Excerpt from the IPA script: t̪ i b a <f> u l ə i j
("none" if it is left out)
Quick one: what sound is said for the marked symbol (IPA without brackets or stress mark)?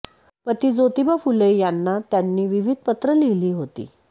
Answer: f